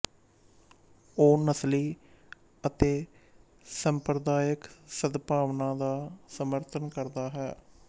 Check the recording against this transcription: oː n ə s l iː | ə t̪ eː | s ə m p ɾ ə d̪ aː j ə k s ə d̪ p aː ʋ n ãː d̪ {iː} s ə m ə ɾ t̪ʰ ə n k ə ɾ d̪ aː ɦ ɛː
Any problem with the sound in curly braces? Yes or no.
yes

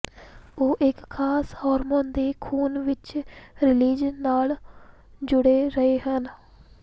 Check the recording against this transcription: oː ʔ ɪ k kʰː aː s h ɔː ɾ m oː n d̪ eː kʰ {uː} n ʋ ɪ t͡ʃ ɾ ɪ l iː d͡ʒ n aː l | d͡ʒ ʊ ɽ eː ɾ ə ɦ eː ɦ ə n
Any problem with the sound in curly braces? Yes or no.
no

